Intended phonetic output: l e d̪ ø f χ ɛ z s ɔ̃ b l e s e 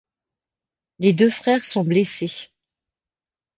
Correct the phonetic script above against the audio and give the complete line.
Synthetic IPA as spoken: l e d̪ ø f χ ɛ ʁ s ɔ̃ b l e s e